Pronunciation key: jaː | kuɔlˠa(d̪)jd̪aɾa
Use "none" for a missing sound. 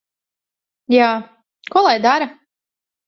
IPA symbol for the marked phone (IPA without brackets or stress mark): none